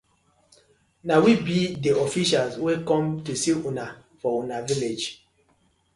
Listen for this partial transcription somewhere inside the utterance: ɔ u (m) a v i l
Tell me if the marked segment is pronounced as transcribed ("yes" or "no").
no